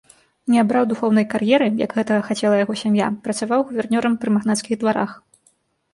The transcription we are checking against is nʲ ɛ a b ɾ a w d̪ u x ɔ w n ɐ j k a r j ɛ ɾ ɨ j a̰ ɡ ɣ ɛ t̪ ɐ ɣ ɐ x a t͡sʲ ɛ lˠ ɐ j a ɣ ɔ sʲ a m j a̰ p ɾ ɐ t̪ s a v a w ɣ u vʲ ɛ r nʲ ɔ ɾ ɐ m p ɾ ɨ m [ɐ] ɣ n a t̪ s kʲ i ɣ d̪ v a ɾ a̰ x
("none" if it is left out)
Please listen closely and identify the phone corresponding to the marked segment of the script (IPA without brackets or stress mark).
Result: a